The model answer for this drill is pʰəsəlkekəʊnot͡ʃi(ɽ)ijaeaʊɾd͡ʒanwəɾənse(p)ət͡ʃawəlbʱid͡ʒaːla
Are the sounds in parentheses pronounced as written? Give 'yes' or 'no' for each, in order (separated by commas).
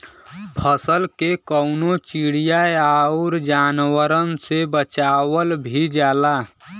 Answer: yes, no